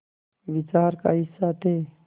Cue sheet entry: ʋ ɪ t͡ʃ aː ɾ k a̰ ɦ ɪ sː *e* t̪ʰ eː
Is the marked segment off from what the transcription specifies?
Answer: yes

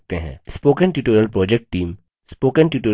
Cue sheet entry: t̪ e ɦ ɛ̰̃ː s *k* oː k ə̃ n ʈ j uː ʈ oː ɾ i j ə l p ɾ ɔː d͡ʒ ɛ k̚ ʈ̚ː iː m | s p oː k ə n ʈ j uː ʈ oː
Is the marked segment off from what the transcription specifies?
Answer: yes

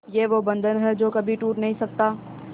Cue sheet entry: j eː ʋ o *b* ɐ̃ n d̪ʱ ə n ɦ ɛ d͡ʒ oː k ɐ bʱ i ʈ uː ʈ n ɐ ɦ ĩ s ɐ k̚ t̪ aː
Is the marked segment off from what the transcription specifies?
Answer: no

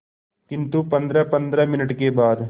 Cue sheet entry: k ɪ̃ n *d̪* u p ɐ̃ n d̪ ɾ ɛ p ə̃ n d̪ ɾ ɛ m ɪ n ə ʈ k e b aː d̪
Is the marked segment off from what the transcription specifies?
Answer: yes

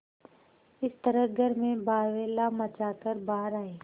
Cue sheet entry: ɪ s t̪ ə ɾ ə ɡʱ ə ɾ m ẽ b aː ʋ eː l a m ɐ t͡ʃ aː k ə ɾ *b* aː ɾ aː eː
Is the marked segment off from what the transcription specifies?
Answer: no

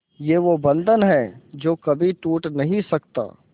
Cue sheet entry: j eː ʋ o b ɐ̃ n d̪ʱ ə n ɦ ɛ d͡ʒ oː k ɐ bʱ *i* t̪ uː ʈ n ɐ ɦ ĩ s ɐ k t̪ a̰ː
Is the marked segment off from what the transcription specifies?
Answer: no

